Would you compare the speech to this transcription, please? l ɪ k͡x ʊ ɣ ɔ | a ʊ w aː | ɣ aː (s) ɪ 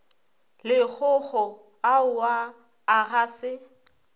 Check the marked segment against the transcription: correct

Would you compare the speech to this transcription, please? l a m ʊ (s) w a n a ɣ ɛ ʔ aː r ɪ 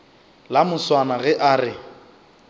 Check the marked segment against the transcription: correct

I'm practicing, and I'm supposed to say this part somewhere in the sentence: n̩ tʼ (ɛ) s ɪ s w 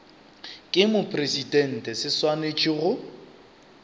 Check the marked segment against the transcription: correct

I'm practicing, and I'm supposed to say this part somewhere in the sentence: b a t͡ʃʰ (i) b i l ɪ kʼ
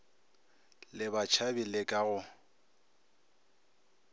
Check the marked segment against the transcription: incorrect: a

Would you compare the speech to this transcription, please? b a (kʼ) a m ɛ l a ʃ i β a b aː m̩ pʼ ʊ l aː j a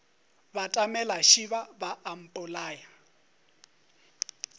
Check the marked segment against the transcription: incorrect: tʼ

